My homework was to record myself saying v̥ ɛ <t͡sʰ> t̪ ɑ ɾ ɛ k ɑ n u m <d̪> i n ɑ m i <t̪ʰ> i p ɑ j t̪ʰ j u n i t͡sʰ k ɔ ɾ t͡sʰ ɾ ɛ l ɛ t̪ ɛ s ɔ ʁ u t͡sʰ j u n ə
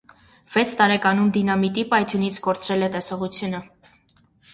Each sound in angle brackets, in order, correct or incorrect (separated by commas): correct, correct, incorrect